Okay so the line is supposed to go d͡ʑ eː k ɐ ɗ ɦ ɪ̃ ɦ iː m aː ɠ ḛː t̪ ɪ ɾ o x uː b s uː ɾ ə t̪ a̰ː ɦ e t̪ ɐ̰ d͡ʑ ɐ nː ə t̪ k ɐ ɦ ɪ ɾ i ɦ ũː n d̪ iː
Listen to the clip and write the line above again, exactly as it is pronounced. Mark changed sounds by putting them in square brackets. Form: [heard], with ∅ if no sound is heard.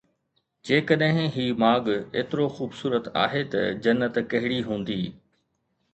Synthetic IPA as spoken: d͡ʑ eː k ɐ ɗ ɦ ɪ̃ ɦ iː m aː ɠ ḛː t̪ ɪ ɾ o x uː b s uː ɾ ə t̪ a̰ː ɦ e t̪ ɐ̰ d͡ʑ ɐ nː ə t̪ k ɐ ɦ ɪ [ɽ] i ɦ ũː n d̪ iː